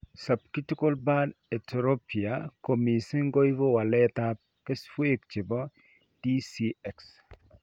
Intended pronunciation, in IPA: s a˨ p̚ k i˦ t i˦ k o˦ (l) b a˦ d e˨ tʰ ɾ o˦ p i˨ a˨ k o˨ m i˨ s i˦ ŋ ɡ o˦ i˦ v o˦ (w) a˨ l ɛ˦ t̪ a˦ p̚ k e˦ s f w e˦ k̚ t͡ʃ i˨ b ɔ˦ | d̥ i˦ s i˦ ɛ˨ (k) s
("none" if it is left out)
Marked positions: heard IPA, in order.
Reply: l, w, k

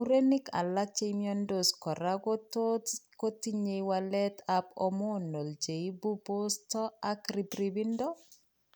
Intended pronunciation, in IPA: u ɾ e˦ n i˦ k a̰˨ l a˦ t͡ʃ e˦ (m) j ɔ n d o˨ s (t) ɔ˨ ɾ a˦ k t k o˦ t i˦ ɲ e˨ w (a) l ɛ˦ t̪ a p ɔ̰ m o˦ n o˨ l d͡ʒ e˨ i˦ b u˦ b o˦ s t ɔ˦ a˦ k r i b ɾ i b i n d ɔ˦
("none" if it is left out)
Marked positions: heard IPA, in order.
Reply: m, k, a

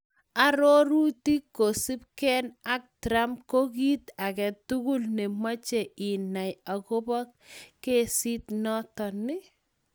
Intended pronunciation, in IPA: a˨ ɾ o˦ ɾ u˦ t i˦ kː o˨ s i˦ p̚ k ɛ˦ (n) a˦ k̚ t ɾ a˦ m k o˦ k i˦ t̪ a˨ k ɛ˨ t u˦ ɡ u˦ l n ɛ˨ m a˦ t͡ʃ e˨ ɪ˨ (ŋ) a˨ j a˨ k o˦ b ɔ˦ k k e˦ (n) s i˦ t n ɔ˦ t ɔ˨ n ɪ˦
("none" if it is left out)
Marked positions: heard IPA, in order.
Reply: n, n, none

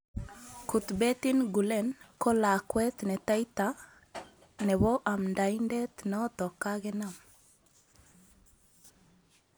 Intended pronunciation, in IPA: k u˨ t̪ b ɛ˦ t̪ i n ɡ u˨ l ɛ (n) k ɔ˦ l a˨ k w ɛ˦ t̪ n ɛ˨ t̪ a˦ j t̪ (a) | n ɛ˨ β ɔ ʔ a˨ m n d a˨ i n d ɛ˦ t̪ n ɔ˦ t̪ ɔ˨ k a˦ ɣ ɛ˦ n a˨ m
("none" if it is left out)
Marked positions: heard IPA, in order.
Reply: n, a

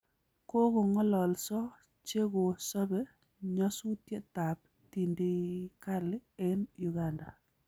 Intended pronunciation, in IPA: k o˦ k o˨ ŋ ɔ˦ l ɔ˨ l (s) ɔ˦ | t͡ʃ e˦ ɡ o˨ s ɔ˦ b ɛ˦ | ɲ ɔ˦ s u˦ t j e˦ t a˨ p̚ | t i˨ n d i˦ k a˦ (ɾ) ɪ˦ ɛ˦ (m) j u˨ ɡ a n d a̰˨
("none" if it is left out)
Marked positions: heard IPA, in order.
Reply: s, l, n

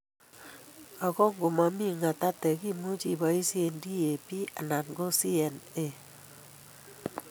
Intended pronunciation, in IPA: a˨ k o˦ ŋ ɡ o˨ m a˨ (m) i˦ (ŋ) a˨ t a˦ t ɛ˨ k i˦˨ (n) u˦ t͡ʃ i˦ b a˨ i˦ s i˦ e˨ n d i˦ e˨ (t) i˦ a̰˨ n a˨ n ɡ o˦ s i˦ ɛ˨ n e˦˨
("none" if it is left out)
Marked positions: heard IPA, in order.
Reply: m, ŋ, m, p

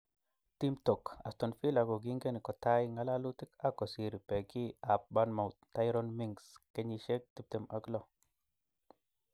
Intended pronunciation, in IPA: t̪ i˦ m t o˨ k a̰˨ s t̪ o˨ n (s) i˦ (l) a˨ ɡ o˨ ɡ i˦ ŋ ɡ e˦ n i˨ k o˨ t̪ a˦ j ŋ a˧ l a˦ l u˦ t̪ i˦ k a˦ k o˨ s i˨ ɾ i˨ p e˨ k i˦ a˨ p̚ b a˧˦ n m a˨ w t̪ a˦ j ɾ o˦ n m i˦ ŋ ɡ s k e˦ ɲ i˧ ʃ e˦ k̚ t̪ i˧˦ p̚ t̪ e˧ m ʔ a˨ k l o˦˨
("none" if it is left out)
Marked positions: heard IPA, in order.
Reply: f, l

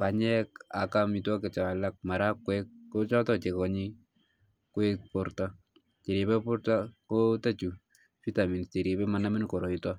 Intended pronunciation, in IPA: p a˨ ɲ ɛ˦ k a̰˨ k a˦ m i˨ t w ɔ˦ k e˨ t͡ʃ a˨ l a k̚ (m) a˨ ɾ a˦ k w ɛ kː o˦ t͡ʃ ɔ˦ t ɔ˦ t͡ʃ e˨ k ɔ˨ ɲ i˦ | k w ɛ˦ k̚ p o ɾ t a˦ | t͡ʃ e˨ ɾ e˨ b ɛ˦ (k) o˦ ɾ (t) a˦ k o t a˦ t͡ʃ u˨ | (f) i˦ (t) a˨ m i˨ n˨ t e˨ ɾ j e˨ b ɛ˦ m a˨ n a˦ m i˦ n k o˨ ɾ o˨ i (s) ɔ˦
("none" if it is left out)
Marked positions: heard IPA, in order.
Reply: m, p, t, f, t, t

